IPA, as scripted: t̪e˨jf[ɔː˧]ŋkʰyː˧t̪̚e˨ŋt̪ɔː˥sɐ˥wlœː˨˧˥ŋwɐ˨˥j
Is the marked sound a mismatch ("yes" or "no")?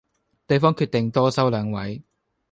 yes